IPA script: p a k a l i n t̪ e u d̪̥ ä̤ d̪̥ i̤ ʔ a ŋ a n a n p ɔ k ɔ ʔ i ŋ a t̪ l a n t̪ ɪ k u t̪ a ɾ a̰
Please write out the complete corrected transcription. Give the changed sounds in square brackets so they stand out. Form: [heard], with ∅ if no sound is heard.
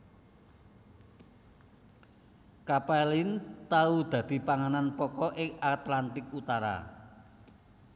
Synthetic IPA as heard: [k] a [p] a l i n t̪ [a] u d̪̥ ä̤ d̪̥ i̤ [p] a ŋ a n a n p ɔ k ɔ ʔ [ɪ] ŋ a t̪ l a n t̪ ɪ k u t̪ a ɾ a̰